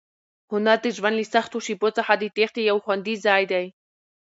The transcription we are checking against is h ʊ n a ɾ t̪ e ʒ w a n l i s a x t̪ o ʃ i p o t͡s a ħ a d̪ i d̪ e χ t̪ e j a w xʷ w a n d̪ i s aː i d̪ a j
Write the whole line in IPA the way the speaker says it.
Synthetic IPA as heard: h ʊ n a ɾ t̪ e ʒ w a n l i s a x t̪ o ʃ i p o t͡s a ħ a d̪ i t̪ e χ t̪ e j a w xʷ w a n d̪ i z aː j d̪ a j